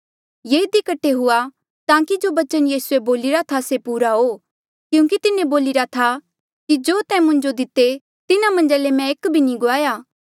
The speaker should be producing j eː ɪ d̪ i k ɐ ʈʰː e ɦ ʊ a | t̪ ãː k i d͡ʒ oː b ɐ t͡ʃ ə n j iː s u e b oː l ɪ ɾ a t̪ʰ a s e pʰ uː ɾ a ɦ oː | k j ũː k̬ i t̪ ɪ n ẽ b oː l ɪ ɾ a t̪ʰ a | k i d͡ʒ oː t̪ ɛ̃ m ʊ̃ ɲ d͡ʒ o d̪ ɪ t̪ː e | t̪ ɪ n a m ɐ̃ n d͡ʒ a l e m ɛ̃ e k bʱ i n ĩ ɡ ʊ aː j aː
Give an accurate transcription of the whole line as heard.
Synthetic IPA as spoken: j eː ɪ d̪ i k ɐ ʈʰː e ɦ ʊ a | t̪ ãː k i d͡ʒ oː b ɐ t͡ʃ ə n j iː s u e b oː l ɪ ɾ a t̪ʰ a s e p uː ɾ a ɦ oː | k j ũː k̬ i t̪ ɪ n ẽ b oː l ɪ ɾ a t̪ʰ a | k i d͡ʒ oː t̪ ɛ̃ m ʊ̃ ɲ d͡ʒ o d̪ ɪ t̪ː e | t̪ ɪ n a m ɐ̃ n d͡ʒ a l e m ɛ̃ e k bʱ i n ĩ ɡ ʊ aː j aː